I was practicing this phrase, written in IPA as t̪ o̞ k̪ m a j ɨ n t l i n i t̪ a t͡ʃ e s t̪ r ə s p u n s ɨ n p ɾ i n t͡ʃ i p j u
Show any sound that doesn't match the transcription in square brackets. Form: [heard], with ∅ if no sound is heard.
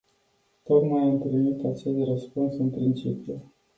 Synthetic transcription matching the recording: t̪ o̞ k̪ m a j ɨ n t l i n i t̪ a t͡ʃ e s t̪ r ə s p u n s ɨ n p ɾ i n t͡ʃ i p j u